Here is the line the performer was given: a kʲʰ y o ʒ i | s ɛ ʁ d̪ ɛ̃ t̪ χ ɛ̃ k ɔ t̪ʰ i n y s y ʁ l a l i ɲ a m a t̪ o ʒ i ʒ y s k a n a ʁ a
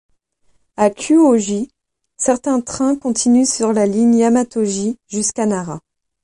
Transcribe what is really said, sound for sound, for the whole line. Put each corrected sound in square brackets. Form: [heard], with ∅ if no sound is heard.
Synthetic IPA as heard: a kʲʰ y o ʒ i | s ɛ ʁ [t̪] ɛ̃ t̪ χ ɛ̃ k [ɔ̃] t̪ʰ i n y s y ʁ l a l i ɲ a m a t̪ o ʒ i ʒ y s k a n a ʁ a